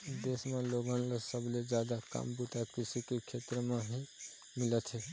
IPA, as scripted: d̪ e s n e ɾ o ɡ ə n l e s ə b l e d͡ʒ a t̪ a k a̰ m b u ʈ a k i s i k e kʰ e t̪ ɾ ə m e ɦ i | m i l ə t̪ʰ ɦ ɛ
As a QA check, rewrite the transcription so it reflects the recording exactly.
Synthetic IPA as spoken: d̪ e s m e l o ɡ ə n l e s ə b l e d͡ʒ a d̪ a k a̰ m b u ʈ a k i s i k e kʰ e t̪ ɾ ə m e ɦ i | m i l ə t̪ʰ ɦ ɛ